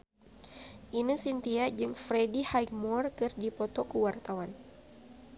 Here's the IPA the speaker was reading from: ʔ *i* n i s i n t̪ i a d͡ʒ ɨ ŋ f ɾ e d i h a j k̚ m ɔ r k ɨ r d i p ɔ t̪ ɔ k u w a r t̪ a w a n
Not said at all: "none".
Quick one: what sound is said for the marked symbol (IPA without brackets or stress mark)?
i